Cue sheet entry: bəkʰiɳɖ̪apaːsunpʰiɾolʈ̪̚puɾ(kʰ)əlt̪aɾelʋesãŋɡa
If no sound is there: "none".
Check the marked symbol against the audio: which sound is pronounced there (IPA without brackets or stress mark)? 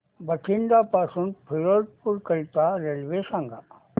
k